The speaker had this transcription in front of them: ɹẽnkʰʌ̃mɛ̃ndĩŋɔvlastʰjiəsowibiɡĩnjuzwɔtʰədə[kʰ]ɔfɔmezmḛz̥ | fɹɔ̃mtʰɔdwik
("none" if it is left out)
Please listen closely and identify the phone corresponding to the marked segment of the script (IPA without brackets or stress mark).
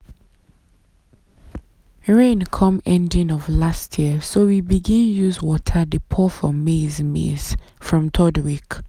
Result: pʰ